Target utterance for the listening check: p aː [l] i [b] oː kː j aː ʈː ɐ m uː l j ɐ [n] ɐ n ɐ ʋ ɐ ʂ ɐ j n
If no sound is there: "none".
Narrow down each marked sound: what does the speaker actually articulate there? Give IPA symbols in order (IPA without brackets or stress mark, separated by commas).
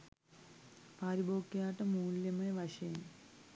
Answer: ɾ, b, m